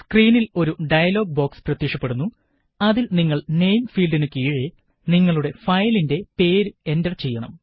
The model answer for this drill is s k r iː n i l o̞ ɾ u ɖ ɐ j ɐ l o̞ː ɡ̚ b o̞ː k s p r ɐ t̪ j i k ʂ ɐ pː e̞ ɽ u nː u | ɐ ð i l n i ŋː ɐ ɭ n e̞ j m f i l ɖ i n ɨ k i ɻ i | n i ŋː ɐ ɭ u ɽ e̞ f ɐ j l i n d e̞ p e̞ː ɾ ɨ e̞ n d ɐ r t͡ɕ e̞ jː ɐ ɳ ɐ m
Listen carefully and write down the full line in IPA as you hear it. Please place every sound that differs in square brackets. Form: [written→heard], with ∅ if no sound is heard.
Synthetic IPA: s k r iː n i l o̞ ɾ u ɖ ɐ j ɐ l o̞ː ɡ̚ b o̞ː k s p r ɐ t̪ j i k ʂ ɐ pː e̞ ɽ u nː u | ɐ ð i l n i ŋː ɐ ɭ n e̞ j m f [i→iː] l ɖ i n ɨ k [i→iː] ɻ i | n i ŋː ɐ ɭ u ɽ e̞ f ɐ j l i n d e̞ p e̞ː ɾ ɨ e̞ n d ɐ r t͡ɕ e̞ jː ɐ ɳ ɐ m